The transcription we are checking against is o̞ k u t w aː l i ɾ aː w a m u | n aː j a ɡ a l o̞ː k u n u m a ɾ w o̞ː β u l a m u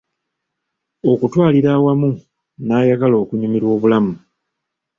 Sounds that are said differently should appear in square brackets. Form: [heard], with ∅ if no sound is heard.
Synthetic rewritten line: o̞ k u t w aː l i ɾ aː w a m u | n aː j a ɡ a l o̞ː k u [ɲ] u m [i] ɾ w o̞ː β u l a m u

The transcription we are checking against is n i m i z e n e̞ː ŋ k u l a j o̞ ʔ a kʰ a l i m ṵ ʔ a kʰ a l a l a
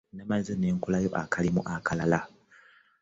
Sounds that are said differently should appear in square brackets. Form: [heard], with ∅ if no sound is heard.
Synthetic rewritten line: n [a] m [a] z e n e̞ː ŋ k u l a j o̞ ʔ a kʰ a l i m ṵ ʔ a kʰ a l a l a

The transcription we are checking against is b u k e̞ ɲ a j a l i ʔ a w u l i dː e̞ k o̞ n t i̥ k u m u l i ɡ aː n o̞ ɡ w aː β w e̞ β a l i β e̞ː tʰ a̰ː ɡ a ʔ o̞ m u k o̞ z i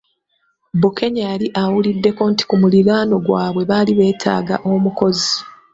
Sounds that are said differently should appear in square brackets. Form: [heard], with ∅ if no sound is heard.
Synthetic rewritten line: b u k e̞ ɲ a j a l i ʔ a w u l i dː e̞ k o̞ n t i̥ k u m u l i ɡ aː n o̞ ɡ w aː β w e̞ β a l i β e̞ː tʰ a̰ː ɡ a ʔ o̞ m u k o̞ z i

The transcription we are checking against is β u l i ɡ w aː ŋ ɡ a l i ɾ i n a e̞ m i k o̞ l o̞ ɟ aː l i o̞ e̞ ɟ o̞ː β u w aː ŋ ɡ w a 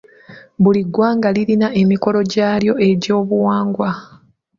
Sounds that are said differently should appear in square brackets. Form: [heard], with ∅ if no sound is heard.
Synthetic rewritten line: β u l i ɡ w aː ŋ ɡ a l i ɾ i n a e̞ m i k o̞ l o̞ ɟ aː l [j] o̞ e̞ ɟ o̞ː β u w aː ŋ ɡ w a

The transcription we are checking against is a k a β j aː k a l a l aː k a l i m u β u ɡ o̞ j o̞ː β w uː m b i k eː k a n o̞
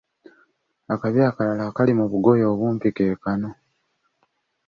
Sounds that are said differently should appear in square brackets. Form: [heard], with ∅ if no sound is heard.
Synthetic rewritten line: a k a β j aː k a l a l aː k a l i m u β u ɡ o̞ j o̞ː β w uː m [p] i k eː k a n o̞

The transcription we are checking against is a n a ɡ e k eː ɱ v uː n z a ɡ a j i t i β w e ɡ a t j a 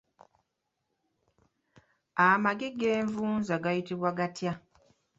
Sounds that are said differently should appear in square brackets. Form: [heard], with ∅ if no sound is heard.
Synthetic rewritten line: a [m] a ɡ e [ɡ] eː ɱ v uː n z a ɡ a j i t i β w [a] ɡ a t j a

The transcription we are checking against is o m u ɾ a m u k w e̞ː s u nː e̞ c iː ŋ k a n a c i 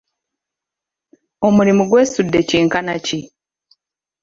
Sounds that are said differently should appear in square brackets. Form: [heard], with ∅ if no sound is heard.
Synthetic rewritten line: o m u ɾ [i] m u [ɡ] w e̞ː s u [dː] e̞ c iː ŋ k a n a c i

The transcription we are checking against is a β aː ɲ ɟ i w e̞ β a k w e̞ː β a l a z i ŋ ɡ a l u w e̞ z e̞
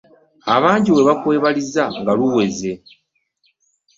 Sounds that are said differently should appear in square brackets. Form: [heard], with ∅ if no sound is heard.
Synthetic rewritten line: a β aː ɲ ɟ i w e̞ β a k w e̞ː β a l [i] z [a] ŋ ɡ a l u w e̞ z e̞

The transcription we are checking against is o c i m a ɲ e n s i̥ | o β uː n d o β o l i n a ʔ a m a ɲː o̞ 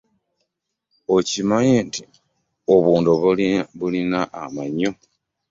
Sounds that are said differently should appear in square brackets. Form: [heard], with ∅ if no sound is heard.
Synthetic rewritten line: o c i m a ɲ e n [t] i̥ | o β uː n d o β [u] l i n a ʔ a m a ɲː o̞

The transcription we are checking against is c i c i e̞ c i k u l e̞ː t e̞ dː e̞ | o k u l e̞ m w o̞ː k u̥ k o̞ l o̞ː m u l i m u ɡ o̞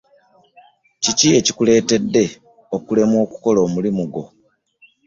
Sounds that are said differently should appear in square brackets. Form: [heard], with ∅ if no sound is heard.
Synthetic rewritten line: c i c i e̞ c i k u l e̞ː t e̞ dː e̞ | o k u l e̞ m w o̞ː k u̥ k o̞ l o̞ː m u l i m u ɡ o̞

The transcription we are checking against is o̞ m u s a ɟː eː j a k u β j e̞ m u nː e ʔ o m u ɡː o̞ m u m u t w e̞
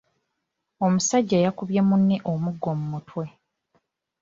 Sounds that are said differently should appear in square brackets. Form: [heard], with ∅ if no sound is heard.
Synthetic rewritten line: o̞ m u s a ɟː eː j a k u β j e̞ m u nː e ʔ o m u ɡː o̞ m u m u t w e̞

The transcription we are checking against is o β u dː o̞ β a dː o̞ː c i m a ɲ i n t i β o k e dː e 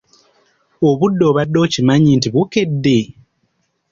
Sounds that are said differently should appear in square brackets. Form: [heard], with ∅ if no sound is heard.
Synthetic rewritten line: o β u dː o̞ β a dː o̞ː c i m a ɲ i n t i β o k e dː e

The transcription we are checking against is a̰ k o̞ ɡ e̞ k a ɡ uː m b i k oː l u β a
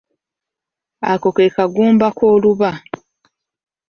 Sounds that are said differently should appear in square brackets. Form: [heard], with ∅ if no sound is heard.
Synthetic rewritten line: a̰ k o̞ [k] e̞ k a ɡ uː m b [a] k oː l u β a

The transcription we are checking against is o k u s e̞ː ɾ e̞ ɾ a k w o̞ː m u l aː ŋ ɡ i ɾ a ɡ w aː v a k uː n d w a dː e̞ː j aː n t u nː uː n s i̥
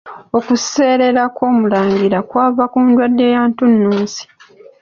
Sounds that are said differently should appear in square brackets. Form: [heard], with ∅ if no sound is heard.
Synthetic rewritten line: o k u s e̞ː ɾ e̞ ɾ a k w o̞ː m u l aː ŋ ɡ i ɾ a [k] w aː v a k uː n d w a dː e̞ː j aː n t u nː uː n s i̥

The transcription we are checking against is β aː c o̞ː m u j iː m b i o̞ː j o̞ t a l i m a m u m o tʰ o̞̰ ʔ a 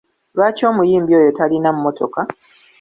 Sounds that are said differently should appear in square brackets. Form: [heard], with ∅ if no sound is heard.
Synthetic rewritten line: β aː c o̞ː m u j iː m b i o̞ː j o̞ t a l i [n] a m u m o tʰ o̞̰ [k] a

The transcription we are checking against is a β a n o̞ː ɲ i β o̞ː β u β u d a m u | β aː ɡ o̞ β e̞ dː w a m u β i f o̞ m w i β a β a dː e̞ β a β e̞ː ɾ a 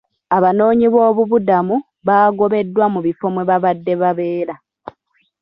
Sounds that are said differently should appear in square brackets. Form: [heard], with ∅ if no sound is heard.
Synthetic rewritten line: a β a n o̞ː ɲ i β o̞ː β u β u d a m u | β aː ɡ o̞ β e̞ dː w a m u β i f o̞ m w [e] β a β a dː e̞ β a β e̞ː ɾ a

